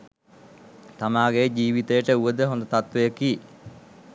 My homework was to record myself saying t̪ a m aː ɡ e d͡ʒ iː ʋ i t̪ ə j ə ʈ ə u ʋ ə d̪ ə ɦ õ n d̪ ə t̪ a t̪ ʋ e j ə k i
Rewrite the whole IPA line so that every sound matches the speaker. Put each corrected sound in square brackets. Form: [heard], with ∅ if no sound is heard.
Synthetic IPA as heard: t̪ a m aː ɡ e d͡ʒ iː ʋ i t̪ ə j ə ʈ ə u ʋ ə d̪ ə ɦ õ n d̪ ə t̪ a t̪ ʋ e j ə k i